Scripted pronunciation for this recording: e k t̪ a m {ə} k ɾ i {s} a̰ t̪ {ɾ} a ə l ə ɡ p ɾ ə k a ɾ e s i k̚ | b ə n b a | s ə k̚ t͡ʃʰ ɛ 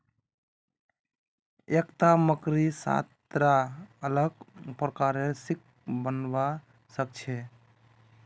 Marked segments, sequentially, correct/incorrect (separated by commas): correct, correct, correct